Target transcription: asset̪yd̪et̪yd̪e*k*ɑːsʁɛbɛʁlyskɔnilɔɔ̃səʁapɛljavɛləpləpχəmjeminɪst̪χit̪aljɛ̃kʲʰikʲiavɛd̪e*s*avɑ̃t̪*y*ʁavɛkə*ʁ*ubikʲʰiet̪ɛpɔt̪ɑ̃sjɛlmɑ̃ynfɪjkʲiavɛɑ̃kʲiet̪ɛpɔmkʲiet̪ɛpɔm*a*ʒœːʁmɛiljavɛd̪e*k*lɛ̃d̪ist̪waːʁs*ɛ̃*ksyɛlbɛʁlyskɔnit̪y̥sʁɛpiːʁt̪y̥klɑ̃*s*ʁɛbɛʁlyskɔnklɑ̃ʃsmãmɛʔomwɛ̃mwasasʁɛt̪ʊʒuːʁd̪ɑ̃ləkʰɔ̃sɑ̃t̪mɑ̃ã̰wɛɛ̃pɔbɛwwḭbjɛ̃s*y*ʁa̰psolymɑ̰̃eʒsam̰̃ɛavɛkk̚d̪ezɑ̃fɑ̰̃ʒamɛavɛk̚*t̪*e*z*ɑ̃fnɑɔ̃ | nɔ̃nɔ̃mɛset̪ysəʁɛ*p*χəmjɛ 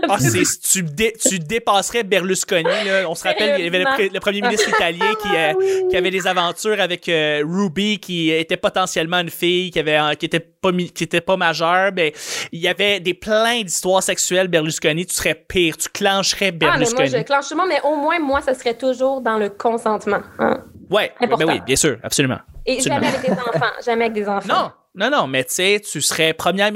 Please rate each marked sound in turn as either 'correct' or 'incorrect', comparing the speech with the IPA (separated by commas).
incorrect, incorrect, incorrect, correct, correct, incorrect, incorrect, incorrect, incorrect, incorrect, correct, correct